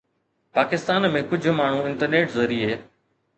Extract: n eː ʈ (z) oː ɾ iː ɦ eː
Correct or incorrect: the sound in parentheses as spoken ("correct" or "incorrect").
correct